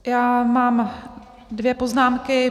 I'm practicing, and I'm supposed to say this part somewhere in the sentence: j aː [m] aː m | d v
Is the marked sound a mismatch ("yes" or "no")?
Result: no